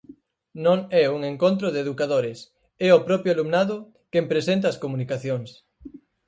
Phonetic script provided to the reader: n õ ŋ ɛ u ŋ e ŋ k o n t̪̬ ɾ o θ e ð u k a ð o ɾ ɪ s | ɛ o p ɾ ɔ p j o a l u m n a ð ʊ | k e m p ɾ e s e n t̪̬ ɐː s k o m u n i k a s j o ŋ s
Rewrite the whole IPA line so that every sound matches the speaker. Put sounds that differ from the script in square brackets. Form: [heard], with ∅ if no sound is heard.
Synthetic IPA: n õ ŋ ɛ u ŋ e ŋ k o n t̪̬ ɾ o [ð] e ð u k a ð o ɾ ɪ s | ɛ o p ɾ ɔ p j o a l u m n a ð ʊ | k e m p ɾ e s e n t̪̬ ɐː s k o m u n i k a [θ] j o ŋ s

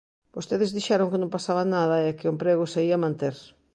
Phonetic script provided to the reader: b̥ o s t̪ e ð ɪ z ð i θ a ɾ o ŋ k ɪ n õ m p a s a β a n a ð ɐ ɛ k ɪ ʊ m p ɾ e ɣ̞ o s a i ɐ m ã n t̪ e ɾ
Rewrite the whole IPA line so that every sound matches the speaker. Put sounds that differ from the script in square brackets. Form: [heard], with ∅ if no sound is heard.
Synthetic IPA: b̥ o s t̪ e ð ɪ z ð i [ʃ] a ɾ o ŋ k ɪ n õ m p a s a β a n a ð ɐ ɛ k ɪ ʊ m p ɾ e ɣ̞ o s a i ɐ m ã n t̪ e ɾ

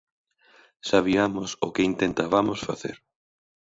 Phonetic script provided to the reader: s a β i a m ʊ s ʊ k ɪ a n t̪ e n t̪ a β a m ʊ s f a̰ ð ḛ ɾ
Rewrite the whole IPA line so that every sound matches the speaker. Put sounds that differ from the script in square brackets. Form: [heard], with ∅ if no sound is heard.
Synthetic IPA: s a β i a m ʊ s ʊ k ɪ [i] n t̪ e n t̪ a β a m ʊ s f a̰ [θ] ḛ ɾ

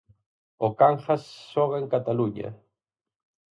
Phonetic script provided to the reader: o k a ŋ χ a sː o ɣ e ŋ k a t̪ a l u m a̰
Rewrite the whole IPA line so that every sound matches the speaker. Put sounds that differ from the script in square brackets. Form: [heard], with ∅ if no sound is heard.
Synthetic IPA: o k a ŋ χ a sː o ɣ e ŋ k a t̪ a l u [ɲ] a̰

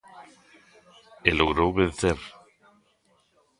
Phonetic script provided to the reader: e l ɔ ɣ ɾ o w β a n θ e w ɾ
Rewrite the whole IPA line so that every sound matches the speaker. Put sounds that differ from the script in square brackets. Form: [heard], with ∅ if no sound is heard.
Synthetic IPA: e l [o] ɣ ɾ o w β [e] n θ e [∅] ɾ

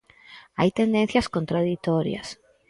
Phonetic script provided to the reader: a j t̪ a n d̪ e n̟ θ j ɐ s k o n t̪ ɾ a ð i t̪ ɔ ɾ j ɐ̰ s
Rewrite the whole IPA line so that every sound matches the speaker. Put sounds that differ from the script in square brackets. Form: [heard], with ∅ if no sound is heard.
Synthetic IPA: a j t̪ [e] n d̪ e n̟ θ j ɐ s k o n t̪ ɾ a ð i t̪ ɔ ɾ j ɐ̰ s

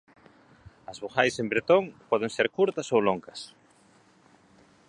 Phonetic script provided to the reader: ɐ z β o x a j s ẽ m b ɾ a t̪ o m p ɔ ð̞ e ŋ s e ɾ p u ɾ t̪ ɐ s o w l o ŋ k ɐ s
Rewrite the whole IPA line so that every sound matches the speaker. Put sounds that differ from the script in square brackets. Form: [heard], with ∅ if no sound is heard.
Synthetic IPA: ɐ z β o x a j s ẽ m b ɾ [e] t̪ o [ŋ] p ɔ ð̞ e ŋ s e ɾ [k] u ɾ t̪ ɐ s o w l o ŋ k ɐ s

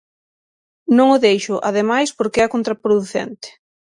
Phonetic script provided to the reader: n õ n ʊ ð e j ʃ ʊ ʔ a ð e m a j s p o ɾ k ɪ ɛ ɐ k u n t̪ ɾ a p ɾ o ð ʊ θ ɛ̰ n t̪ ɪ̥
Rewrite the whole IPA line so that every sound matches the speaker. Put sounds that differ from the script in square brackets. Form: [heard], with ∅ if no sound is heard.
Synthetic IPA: n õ [ŋ] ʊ ð e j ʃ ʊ ʔ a ð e m a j s p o ɾ k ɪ ɛ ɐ k [o] n t̪ ɾ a p ɾ o ð [u] θ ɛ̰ n t̪ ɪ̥

